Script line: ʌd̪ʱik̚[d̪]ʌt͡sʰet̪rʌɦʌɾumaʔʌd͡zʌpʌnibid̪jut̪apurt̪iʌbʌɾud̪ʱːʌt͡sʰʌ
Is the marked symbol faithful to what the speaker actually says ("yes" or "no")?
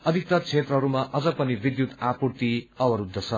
no